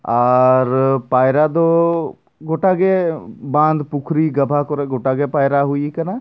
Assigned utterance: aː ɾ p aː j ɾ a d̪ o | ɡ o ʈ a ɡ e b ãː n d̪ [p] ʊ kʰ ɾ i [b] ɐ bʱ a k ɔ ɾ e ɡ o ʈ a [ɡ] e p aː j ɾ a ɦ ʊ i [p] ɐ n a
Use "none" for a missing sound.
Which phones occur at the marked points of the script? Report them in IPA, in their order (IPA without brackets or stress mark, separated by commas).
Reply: p, ɡ, ɡ, k